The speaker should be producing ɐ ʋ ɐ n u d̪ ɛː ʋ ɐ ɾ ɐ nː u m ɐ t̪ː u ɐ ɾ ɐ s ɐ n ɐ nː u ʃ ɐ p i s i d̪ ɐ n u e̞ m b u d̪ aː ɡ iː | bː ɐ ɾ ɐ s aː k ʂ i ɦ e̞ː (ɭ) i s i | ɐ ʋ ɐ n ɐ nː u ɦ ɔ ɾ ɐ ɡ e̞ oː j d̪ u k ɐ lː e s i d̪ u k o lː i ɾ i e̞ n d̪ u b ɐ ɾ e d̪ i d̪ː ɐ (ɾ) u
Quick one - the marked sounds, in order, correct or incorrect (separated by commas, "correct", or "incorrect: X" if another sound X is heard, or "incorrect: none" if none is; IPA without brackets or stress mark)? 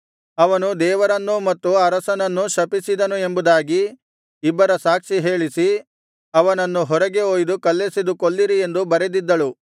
correct, incorrect: ɭ